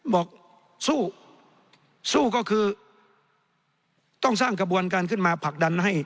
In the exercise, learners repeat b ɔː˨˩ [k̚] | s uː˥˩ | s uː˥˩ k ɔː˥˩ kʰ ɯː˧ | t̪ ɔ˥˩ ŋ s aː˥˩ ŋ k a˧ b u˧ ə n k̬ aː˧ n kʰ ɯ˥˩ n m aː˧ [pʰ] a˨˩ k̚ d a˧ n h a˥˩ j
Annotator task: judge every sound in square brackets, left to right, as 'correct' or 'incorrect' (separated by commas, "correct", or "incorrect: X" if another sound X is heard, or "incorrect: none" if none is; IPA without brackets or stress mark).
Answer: correct, correct